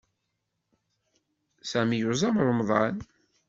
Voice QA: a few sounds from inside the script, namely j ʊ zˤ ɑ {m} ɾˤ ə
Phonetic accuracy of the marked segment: correct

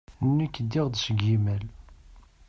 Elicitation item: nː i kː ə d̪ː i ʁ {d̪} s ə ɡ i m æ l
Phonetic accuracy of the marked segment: correct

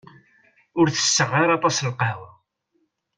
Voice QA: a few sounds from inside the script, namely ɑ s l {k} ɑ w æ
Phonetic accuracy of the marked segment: incorrect: q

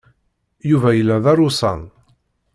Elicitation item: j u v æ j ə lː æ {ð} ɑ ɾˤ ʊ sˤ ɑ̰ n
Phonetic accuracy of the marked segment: correct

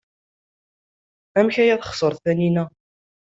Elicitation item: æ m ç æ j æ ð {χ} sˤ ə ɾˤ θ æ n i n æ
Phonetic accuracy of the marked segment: correct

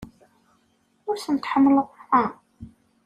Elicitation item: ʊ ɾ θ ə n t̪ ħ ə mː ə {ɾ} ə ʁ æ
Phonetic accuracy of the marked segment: incorrect: l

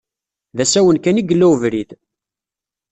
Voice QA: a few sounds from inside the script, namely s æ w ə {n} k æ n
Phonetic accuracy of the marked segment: correct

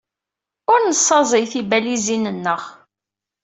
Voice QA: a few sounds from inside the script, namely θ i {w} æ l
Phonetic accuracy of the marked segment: incorrect: b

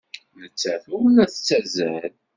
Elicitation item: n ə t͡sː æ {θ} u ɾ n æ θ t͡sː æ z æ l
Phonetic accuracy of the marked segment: correct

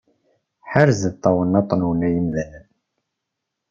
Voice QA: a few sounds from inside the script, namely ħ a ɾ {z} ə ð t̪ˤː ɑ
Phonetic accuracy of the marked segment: correct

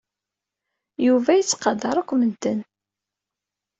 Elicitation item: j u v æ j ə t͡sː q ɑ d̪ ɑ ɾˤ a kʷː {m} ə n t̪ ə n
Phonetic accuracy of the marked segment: correct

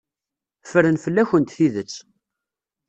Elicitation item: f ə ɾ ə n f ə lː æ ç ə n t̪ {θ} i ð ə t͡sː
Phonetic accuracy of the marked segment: correct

